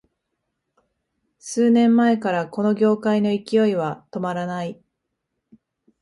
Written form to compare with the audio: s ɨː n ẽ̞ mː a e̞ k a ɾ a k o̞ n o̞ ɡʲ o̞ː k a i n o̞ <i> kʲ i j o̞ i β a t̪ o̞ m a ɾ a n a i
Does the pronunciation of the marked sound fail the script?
no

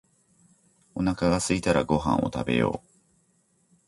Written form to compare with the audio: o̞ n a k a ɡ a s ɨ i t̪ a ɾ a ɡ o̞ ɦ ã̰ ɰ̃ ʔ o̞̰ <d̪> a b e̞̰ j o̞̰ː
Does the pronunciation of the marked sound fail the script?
yes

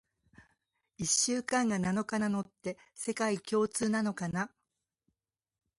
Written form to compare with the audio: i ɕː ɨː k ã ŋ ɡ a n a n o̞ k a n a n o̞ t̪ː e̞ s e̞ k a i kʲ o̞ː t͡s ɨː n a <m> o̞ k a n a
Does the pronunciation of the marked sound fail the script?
yes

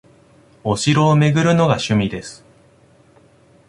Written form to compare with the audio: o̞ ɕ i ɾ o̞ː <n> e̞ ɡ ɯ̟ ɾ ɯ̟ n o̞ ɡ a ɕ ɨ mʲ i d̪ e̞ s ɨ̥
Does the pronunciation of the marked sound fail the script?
yes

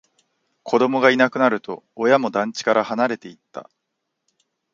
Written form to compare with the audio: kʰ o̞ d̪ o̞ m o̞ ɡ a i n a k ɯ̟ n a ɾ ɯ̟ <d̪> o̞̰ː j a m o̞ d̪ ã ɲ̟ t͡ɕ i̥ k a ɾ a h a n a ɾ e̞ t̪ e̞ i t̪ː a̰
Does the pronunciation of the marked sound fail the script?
yes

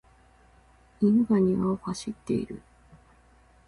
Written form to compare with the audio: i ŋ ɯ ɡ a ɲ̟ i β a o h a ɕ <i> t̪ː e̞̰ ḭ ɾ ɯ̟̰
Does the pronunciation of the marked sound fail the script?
no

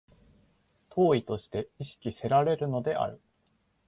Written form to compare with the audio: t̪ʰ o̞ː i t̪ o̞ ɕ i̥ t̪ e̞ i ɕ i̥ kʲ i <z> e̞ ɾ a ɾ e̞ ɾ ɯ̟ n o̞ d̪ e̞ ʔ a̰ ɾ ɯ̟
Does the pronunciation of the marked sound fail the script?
yes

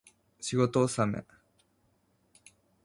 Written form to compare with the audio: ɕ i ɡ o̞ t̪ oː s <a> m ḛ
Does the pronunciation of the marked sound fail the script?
no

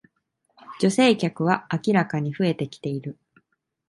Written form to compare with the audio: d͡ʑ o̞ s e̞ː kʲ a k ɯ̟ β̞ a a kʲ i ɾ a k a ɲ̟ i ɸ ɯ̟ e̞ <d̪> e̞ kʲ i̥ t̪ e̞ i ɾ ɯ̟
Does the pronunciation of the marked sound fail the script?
yes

